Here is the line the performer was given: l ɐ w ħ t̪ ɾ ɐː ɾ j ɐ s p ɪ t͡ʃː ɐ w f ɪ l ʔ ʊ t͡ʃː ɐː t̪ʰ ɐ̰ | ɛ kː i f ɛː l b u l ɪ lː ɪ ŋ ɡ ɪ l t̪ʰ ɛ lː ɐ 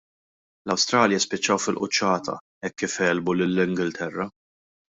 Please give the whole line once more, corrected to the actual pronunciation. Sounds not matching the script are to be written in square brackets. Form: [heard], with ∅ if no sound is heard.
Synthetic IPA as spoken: l ɐ w [s] t̪ ɾ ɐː [l] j ɐ s p ɪ t͡ʃː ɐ w f ɪ l ʔ ʊ t͡ʃː ɐː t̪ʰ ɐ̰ | ɛ kː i f ɛː l b u l ɪ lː ɪ ŋ ɡ ɪ l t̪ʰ ɛ [rː] ɐ